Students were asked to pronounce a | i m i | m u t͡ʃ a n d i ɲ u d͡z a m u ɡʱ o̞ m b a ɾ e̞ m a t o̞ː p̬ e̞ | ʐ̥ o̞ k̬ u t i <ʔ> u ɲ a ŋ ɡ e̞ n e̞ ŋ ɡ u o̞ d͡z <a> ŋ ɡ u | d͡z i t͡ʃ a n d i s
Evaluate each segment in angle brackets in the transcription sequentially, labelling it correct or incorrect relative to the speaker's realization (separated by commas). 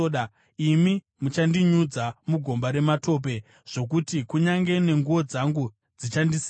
incorrect, correct